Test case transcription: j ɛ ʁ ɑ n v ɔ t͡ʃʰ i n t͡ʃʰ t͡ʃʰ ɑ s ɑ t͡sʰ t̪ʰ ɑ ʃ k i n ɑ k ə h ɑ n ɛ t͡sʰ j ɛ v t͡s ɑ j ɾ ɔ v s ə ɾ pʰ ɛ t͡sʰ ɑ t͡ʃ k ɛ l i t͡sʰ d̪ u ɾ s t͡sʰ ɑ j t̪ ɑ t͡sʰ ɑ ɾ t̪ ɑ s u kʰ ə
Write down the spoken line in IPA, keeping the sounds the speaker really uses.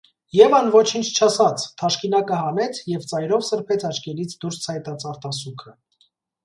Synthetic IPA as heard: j ɛ v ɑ n v ɔ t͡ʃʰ i n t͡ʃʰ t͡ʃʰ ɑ s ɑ t͡sʰ t̪ʰ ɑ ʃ k i n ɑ k ə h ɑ n ɛ t͡sʰ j ɛ v t͡s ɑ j ɾ ɔ v s ə ɾ pʰ ɛ t͡sʰ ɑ t͡ʃ k ɛ l i t͡sʰ d̪ u ɾ s t͡sʰ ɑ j t̪ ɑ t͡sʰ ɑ ɾ t̪ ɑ s u kʰ ə